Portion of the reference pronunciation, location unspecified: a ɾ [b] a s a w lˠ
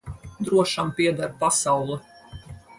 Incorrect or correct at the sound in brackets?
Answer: incorrect: p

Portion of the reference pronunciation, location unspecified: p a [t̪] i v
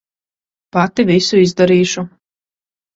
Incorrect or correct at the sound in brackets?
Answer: correct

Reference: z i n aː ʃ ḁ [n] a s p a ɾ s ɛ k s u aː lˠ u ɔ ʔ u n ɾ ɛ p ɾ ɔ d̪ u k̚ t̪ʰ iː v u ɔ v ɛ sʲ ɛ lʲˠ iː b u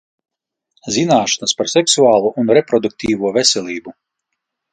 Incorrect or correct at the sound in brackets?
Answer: correct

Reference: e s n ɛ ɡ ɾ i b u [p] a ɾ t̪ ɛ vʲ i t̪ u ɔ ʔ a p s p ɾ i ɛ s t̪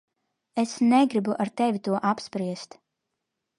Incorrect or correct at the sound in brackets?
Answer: incorrect: ʔ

